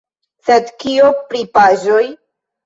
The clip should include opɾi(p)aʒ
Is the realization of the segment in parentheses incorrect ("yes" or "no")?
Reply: no